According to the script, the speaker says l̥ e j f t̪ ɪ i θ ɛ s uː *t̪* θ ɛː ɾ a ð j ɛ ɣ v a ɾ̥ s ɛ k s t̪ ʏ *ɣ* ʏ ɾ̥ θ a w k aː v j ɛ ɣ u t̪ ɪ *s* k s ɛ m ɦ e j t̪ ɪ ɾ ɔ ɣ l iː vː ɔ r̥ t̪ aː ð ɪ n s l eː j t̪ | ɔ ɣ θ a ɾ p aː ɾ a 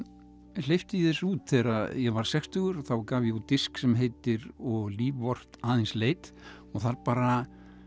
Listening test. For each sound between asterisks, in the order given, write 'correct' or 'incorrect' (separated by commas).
correct, correct, correct